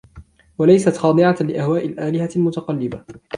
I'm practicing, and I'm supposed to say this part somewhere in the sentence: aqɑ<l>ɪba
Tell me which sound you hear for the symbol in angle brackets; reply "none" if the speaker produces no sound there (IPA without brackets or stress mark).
lː